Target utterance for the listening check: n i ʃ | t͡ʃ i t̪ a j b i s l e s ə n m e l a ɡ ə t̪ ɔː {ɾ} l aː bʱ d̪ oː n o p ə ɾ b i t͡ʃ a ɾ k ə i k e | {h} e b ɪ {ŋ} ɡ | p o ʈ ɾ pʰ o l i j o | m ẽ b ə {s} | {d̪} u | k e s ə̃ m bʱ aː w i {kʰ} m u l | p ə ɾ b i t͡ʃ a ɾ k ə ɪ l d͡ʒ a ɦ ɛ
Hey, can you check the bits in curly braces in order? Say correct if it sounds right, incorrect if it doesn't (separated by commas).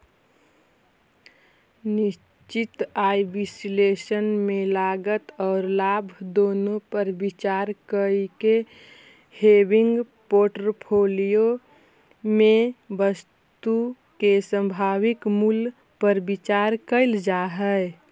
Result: correct, correct, correct, correct, incorrect, incorrect